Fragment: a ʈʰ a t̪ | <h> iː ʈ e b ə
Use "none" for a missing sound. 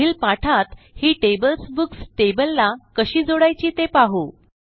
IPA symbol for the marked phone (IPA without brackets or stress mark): h